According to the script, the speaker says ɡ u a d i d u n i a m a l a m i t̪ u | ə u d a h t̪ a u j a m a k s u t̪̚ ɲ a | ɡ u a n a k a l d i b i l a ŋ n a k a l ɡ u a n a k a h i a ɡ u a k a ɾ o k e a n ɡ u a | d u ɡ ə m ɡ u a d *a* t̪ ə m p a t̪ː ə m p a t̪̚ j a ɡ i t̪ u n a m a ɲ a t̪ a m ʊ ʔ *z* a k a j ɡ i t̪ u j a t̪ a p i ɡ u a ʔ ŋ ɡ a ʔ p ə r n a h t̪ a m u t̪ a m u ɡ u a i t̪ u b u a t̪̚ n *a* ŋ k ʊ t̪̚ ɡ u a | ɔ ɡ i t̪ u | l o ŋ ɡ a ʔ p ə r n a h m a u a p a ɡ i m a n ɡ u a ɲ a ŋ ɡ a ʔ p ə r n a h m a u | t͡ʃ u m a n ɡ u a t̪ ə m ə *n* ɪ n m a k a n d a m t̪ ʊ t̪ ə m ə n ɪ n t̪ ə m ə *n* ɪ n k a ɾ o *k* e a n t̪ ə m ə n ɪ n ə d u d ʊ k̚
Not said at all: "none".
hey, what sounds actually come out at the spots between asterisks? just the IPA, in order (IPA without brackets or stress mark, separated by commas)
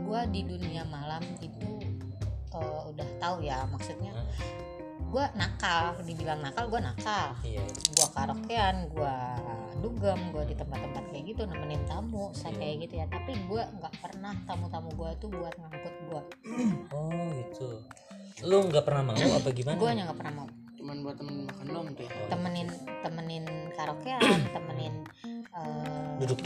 i, s, a, n, n, k